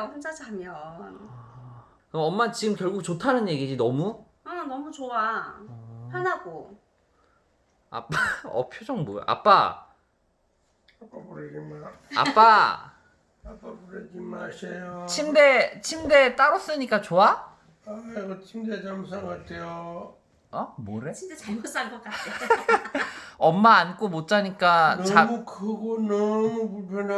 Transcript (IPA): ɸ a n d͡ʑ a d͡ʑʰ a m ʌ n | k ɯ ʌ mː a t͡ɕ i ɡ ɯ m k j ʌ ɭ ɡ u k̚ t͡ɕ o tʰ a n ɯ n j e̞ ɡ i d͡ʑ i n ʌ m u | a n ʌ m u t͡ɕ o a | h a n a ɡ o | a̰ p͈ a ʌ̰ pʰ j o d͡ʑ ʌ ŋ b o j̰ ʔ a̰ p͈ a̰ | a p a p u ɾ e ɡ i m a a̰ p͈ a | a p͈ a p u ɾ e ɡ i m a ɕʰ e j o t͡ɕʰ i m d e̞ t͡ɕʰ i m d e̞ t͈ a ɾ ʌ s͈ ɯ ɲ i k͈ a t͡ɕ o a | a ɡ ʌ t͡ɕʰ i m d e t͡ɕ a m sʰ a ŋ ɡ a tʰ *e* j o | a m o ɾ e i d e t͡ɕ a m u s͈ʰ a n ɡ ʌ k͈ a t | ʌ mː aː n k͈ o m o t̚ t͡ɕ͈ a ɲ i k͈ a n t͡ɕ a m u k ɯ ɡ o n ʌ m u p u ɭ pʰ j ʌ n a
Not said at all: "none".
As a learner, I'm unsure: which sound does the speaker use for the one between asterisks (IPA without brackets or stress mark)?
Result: e